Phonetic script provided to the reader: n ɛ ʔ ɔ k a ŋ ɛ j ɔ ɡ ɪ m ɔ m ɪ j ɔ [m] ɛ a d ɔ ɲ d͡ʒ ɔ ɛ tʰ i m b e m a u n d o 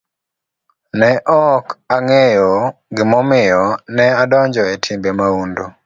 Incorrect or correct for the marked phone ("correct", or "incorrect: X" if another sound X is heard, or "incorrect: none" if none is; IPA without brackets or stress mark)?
incorrect: n